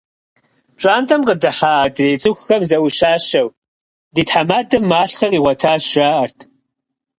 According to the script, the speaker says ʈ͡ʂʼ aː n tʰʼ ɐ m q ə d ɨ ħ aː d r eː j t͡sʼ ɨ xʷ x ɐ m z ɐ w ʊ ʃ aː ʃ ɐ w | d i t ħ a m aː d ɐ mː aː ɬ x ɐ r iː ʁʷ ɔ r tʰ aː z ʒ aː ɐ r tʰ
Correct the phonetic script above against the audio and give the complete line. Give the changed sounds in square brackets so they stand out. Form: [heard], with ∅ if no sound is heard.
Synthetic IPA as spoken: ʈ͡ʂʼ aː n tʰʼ ɐ m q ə d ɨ ħ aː d r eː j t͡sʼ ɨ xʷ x ɐ m z ɐ w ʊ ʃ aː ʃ ɐ w | d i t ħ a m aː d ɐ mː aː ɬ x ɐ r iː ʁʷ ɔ [∅] tʰ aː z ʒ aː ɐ r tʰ